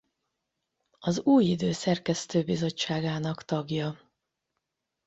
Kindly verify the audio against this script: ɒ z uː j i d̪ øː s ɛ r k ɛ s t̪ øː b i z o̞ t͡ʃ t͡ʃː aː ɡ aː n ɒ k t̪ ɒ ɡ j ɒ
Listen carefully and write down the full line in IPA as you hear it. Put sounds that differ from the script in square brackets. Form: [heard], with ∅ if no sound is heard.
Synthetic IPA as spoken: ɒ z uː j i d̪ øː s ɛ r k ɛ s t̪ øː b i z o̞ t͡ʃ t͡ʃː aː ɡ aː n ɒ k t̪ ɒ ɡ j ɒ